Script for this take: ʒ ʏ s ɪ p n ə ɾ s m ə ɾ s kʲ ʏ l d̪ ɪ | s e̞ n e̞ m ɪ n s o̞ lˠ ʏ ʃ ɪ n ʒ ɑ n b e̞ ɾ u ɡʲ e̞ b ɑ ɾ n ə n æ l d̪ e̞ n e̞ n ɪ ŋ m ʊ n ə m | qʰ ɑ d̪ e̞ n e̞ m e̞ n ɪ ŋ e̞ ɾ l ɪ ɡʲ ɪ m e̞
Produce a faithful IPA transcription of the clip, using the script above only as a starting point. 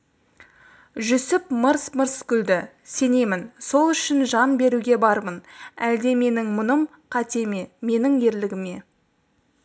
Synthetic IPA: ʒ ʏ s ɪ p m ə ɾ s m ə ɾ s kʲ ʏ l d̪ ɪ | s e̞ n e̞ m ɪ n s o̞ lˠ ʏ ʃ ɪ n ʒ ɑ n b e̞ ɾ u ɡʲ e̞ b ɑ ɾ m ə n æ l d̪ e̞ m e̞ n ɪ ŋ m ʊ n ə m | qʰ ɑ t̪ e̞ m e̞ m e̞ n ɪ ŋ e̞ ɾ l ɪ ɡʲ ɪ m e̞